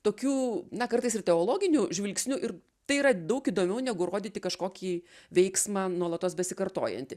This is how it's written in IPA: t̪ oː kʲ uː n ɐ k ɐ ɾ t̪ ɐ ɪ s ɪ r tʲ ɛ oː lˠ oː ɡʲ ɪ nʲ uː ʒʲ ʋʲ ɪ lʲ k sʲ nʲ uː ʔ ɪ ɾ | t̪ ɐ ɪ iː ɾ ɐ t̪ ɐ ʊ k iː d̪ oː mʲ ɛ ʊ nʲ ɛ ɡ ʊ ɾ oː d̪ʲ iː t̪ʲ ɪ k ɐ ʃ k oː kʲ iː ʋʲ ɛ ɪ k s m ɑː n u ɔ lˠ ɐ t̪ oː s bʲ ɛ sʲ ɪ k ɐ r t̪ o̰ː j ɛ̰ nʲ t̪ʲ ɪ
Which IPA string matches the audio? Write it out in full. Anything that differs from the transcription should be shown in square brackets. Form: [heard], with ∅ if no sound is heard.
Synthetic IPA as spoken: t̪ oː kʲ uː n ɐ k ɐ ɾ t̪ ɐ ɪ s ɪ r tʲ ɛ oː lˠ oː ɡʲ ɪ nʲ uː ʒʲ ʋʲ ɪ lʲ k sʲ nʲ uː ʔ ɪ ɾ | t̪ ɐ ɪ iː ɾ ɐ [d̪] ɐ ʊ k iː d̪ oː mʲ ɛ ʊ nʲ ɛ ɡ ʊ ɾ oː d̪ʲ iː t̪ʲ ɪ k ɐ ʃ k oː kʲ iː ʋʲ ɛ ɪ k s m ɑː n u ɔ lˠ ɐ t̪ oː s bʲ ɛ sʲ ɪ k ɐ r t̪ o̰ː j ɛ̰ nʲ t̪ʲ ɪ